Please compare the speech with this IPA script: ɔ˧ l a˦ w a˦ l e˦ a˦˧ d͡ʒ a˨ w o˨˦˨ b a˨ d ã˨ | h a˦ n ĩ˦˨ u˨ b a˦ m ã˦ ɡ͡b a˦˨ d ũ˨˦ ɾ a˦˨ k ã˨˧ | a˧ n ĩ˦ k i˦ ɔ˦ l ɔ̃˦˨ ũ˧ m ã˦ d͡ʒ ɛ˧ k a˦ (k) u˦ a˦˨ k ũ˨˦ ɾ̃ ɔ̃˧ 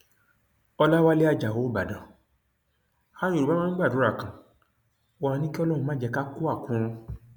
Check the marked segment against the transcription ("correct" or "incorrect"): correct